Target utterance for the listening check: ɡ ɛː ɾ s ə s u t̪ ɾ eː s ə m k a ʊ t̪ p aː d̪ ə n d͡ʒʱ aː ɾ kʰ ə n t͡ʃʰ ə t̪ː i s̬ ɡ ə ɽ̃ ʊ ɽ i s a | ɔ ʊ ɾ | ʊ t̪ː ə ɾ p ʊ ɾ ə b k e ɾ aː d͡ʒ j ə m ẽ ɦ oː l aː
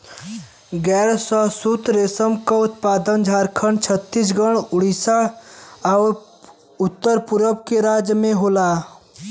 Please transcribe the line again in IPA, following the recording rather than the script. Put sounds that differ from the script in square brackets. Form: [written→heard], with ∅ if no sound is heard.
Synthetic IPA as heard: ɡ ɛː ɾ s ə s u t̪ ɾ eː s ə m k a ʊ t̪ p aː d̪ ə n d͡ʒʱ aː ɾ kʰ ə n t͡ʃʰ ə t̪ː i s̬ ɡ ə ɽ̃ ʊ ɽ i s a | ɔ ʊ ɾ | ʊ t̪ː ə ɾ p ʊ ɾ ə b k e ɾ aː d͡ʒ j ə m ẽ ɦ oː l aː